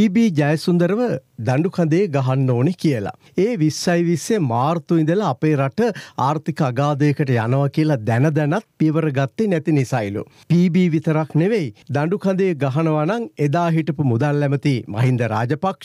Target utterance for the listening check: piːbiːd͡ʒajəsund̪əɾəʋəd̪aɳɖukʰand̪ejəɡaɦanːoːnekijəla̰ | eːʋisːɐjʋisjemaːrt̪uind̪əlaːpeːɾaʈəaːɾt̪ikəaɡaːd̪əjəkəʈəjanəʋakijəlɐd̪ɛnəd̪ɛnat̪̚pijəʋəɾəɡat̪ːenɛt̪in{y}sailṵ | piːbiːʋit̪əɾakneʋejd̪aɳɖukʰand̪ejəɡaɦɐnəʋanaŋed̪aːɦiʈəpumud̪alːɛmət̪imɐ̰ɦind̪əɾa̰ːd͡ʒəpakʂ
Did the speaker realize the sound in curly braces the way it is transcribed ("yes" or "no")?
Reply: no